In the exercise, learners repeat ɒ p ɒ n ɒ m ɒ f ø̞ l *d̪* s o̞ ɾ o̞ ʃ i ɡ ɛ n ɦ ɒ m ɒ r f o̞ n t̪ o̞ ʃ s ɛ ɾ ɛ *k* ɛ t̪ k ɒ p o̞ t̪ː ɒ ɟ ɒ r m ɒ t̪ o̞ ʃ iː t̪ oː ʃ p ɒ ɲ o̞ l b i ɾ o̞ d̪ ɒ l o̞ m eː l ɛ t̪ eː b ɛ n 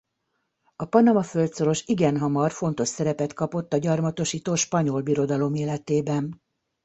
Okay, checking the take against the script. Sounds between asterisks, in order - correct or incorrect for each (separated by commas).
incorrect, incorrect